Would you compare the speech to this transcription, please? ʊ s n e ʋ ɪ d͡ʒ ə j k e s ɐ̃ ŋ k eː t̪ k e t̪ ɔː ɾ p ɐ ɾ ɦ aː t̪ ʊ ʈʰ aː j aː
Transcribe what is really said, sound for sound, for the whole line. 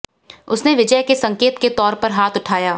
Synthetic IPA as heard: ʊ s n e ʋ ɪ d͡ʒ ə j k e s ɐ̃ ŋ k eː t̪ k e t̪ ɔː ɾ p ɐ ɾ ɦ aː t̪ ʊ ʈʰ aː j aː